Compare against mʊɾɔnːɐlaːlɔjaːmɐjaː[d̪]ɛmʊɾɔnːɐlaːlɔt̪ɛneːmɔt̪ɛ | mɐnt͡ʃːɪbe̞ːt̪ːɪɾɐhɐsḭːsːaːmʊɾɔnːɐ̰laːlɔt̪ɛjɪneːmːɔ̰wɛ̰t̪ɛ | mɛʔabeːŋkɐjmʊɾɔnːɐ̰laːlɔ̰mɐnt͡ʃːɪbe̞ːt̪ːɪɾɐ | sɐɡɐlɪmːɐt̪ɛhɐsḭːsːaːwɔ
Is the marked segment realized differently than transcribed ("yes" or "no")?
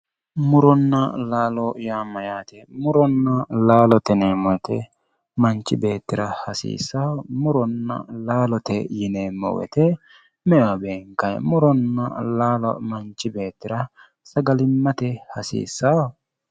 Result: yes